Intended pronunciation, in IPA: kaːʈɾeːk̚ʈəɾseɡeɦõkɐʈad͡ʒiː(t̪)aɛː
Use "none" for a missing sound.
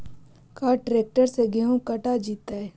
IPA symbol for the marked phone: t̪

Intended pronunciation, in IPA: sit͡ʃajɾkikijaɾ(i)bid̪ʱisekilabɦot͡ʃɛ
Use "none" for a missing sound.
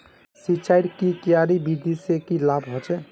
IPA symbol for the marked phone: i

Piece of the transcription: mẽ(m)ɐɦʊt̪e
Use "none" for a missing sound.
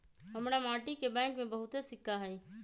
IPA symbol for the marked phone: b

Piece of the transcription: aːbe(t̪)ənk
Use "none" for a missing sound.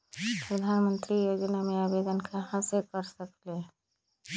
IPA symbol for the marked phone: d̪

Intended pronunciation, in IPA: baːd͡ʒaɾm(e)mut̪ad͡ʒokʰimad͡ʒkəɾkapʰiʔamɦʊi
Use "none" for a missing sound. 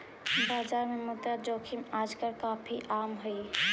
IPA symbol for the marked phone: e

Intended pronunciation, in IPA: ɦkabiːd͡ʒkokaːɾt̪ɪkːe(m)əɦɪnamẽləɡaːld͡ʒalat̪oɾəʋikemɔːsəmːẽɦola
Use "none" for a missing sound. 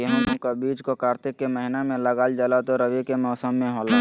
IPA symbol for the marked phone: m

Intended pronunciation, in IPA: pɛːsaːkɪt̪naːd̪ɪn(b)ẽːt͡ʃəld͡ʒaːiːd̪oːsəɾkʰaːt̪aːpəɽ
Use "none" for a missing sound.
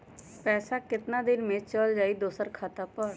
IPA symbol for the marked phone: m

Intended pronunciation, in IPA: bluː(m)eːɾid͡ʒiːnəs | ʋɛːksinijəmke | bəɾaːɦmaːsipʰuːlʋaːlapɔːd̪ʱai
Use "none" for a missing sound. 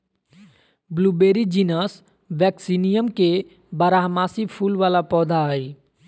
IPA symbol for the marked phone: b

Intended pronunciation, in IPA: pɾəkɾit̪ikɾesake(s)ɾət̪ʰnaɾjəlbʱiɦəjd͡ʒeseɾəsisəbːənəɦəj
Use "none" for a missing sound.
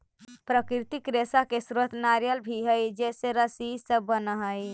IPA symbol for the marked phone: s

